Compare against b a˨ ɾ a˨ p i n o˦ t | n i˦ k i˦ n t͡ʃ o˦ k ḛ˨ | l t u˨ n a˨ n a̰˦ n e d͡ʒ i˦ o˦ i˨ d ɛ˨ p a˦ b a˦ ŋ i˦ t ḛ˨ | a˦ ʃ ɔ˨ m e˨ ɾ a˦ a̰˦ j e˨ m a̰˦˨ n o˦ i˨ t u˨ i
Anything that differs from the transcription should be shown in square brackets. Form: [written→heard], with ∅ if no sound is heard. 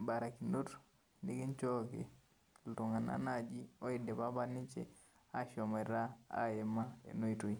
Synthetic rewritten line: b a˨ ɾ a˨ [p→k] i n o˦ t | n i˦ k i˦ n t͡ʃ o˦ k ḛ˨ | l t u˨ [n→ŋ] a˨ n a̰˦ n [e→a] d͡ʒ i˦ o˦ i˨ d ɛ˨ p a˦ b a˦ [ŋ→n] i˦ [t→t͡ʃ] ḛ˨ | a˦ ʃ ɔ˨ m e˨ ɾ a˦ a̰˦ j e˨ m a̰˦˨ n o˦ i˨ t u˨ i